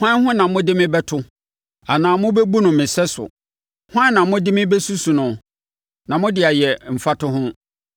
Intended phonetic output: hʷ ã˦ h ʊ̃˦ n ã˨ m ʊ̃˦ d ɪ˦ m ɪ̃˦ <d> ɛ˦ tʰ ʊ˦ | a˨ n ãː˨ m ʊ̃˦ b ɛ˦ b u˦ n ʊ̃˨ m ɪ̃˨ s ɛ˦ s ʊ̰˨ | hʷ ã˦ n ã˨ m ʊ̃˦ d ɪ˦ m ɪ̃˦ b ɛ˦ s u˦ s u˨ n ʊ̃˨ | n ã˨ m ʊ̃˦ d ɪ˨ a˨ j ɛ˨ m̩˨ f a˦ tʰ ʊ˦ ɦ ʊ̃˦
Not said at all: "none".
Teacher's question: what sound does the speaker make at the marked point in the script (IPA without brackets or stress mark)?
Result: b